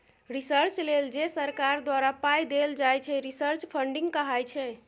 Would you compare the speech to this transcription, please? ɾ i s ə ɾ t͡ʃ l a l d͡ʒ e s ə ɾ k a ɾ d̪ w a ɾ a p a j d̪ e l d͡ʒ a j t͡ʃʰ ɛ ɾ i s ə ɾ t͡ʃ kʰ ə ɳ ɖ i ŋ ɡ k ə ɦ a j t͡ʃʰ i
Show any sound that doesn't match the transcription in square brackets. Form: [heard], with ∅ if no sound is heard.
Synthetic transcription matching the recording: ɾ i s ə ɾ t͡ʃ l [e] l d͡ʒ e s ə ɾ k a ɾ d̪ w a ɾ a p a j d̪ e l d͡ʒ a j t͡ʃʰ ɛ ɾ i s ə ɾ t͡ʃ [pʰ] ə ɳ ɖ i ŋ ɡ k ə ɦ a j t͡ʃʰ [ɛ]